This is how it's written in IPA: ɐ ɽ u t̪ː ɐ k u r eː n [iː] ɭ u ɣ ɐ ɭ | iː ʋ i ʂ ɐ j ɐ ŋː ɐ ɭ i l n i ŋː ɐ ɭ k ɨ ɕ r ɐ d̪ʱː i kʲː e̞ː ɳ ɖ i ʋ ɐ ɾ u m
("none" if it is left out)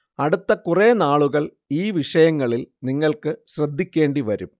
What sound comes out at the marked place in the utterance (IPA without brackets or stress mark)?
aː